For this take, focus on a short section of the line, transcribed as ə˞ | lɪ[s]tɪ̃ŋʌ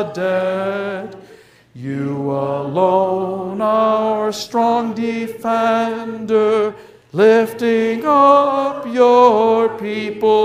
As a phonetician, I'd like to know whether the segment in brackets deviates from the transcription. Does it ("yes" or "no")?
yes